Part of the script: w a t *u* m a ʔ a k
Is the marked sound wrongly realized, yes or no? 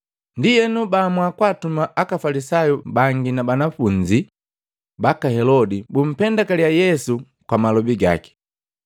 no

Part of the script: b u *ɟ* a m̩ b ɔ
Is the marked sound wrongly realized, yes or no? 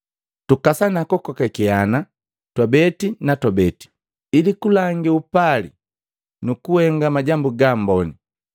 yes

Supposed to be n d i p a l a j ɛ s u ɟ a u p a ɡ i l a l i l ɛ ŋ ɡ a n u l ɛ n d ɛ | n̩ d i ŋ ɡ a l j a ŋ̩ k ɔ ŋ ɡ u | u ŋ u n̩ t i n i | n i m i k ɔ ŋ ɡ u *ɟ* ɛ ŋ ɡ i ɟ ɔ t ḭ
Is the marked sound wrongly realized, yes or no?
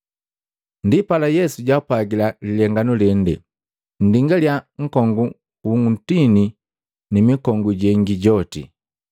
no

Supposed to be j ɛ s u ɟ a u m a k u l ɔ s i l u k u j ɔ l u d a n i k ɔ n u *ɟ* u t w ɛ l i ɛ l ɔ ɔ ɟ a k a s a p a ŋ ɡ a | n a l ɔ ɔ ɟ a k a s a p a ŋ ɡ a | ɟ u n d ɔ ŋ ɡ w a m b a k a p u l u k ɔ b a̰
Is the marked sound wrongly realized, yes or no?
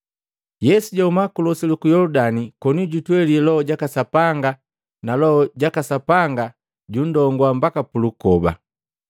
no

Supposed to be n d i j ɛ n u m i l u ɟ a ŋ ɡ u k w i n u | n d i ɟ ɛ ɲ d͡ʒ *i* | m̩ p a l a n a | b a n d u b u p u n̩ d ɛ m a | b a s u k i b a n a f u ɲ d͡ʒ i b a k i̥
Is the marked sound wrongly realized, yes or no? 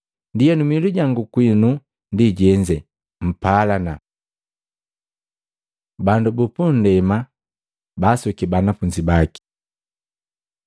yes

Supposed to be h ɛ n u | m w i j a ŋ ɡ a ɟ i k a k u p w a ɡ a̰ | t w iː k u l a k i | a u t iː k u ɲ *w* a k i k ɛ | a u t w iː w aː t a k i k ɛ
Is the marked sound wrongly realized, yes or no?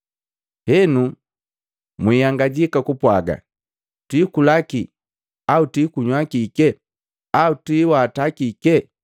no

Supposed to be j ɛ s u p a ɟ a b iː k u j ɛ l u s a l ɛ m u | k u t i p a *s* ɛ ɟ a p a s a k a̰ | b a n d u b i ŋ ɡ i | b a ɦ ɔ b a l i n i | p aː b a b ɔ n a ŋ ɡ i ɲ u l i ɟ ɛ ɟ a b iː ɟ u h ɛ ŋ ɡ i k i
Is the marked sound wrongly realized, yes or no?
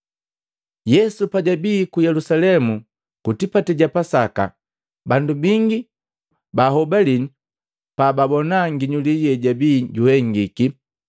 yes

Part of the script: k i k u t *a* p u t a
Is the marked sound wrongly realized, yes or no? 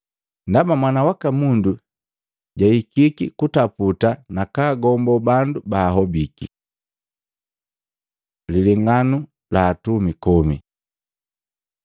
no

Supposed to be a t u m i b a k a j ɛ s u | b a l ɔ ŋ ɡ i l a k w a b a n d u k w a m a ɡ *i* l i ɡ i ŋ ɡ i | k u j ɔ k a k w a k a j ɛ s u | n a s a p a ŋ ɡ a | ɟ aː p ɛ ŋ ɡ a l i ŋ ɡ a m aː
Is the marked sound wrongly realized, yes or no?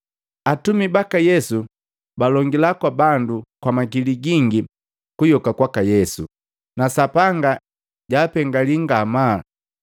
no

